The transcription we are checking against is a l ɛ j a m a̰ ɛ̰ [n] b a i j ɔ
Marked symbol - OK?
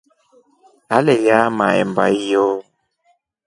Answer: no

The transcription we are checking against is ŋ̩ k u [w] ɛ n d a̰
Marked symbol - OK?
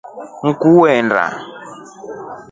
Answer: yes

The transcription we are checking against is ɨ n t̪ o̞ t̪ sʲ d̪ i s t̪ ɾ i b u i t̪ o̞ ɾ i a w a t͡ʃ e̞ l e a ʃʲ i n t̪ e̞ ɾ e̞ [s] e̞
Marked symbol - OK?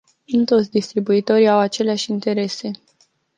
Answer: yes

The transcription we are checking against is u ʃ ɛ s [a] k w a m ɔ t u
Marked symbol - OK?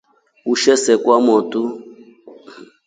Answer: no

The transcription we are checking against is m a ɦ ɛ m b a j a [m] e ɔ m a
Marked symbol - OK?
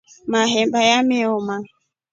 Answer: yes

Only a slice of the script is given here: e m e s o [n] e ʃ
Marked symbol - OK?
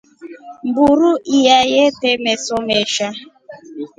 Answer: no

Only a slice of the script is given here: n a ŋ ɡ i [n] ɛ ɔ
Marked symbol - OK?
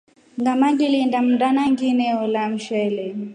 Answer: yes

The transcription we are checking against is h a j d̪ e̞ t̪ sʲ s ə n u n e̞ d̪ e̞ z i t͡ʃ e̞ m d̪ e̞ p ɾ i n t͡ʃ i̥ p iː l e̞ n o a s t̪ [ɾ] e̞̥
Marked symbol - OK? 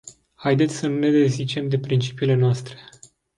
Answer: yes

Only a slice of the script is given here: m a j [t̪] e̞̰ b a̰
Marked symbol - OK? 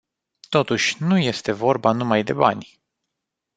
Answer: no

